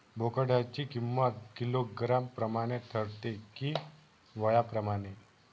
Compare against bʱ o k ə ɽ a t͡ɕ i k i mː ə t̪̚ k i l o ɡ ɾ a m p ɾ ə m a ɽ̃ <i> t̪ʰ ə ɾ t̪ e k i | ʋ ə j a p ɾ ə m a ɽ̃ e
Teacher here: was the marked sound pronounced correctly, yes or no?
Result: no